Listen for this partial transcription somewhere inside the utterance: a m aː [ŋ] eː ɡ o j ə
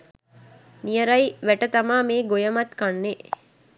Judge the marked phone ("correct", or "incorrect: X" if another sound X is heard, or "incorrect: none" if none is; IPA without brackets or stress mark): incorrect: m